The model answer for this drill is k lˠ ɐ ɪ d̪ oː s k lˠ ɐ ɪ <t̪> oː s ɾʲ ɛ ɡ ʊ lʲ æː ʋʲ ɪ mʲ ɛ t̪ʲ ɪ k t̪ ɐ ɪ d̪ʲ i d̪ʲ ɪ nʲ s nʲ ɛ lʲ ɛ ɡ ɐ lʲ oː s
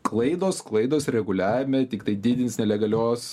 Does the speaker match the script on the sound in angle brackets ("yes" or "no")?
no